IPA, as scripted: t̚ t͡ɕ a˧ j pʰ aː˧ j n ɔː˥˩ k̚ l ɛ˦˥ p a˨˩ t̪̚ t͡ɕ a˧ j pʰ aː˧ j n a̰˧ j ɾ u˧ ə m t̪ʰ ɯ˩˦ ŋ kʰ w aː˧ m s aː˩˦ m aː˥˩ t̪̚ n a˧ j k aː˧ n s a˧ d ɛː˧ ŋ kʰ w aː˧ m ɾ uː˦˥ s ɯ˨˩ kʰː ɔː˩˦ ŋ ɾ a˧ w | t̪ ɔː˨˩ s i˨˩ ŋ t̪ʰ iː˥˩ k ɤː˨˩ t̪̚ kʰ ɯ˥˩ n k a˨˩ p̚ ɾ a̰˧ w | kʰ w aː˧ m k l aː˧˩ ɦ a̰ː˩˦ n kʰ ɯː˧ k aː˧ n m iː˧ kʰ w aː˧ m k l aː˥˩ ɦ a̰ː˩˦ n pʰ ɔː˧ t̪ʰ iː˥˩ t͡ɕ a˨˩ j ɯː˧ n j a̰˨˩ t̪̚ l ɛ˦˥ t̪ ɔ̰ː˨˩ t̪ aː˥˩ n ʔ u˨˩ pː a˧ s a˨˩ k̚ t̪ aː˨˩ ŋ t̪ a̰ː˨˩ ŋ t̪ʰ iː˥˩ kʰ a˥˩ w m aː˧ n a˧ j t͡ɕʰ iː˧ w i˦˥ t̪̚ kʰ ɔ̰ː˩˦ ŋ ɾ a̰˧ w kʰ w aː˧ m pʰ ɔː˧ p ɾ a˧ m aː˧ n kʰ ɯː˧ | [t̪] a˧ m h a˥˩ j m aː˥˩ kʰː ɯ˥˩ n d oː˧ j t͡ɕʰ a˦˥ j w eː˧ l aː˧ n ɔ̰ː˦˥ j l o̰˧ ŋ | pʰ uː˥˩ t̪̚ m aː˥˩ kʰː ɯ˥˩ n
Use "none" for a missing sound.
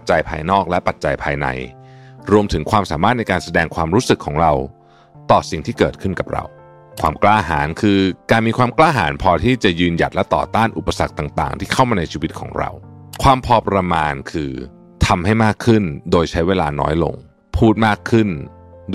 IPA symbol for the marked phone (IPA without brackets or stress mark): t̪ʰ